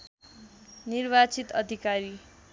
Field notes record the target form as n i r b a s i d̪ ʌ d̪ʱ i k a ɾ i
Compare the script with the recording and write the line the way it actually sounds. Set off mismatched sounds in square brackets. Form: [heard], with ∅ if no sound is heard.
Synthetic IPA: n i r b a [t͡s] i [t̪] ʌ d̪ʱ i k a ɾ i